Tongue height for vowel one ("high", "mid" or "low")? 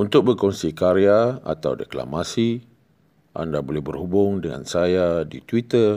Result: high